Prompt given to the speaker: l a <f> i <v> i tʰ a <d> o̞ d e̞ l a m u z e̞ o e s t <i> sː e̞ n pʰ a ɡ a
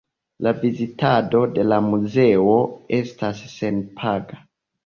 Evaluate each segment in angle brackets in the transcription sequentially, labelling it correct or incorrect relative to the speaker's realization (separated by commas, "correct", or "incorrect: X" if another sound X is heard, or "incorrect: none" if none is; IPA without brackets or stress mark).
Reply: incorrect: v, incorrect: z, correct, incorrect: a